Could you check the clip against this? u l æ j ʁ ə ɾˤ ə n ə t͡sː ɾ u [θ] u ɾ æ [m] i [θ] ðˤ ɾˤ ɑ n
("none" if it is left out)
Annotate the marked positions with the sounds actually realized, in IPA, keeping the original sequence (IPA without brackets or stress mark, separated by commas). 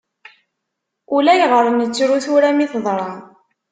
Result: θ, m, θ